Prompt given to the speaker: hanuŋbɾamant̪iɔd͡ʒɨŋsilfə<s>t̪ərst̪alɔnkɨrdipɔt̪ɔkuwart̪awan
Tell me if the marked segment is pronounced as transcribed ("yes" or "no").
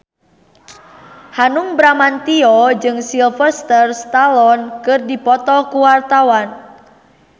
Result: yes